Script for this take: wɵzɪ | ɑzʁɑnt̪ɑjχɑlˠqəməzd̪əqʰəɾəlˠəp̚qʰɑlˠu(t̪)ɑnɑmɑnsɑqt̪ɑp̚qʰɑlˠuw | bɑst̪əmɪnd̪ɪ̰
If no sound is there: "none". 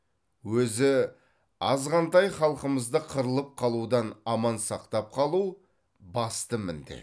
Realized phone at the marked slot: d̪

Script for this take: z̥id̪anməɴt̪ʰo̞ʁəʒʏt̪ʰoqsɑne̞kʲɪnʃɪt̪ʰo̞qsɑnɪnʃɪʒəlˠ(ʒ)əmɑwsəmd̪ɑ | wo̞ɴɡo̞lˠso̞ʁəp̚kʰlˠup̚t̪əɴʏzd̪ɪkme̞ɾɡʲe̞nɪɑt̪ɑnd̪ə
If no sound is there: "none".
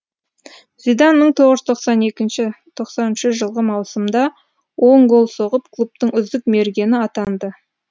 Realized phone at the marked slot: ʁ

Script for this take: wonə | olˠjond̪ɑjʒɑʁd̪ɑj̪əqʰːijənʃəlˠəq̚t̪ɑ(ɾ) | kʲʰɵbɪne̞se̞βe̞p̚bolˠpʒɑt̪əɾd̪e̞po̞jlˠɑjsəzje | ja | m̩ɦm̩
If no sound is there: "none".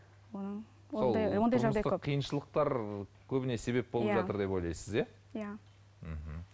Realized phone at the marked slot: ɾ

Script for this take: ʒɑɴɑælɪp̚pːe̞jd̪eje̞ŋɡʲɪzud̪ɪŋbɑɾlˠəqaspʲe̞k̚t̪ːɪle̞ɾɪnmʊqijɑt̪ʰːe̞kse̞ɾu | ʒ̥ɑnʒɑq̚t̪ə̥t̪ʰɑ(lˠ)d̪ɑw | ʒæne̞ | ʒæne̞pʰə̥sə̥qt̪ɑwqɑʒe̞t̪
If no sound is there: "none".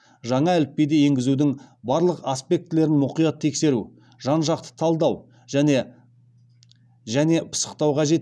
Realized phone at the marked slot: lˠ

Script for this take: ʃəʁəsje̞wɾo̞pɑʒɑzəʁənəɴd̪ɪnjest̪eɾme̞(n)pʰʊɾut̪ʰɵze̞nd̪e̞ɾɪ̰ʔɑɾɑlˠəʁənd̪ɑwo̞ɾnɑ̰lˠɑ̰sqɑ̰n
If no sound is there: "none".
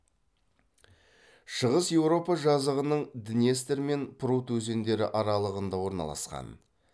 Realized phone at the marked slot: n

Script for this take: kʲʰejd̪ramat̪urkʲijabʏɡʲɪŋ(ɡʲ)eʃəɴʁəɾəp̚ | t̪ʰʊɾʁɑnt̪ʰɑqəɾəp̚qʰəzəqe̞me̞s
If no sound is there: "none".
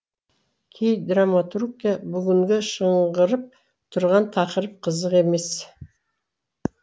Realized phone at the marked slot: ɡʲ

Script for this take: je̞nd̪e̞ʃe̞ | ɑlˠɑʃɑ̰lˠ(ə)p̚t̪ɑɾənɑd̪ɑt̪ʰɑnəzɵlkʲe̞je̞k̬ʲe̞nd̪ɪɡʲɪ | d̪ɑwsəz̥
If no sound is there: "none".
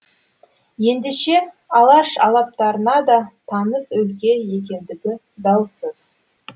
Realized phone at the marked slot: ɑ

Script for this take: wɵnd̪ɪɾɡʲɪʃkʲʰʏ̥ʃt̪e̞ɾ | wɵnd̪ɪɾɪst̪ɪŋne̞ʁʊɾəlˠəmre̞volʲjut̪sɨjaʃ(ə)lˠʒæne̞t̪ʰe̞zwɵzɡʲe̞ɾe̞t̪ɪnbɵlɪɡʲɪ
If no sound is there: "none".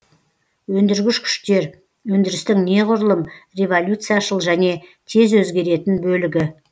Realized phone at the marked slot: ə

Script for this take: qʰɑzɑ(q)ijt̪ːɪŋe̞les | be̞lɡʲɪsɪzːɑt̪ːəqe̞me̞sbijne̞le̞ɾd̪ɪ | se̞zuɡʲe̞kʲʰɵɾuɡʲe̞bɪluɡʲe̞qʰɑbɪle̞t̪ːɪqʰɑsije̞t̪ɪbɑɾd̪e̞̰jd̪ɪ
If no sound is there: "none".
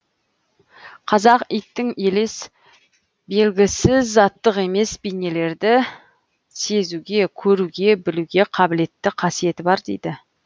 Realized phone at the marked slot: q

